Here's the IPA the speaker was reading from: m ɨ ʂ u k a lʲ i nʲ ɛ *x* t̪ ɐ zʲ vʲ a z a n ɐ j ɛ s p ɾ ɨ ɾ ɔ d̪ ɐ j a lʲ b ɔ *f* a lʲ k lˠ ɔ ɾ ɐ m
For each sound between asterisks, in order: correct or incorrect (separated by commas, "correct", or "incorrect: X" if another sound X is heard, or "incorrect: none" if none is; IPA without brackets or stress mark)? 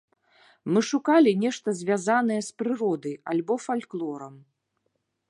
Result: incorrect: ʂ, correct